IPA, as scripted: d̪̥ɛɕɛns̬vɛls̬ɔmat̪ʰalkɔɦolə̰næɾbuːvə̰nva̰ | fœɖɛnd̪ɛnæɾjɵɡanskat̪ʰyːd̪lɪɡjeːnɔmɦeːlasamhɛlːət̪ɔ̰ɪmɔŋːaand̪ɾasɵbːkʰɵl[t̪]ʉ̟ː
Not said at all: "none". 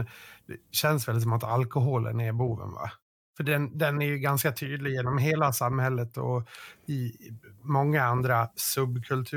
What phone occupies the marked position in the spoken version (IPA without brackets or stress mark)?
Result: t̪ʰ